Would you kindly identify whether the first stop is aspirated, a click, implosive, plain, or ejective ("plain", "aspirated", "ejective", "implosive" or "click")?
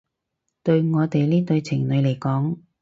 plain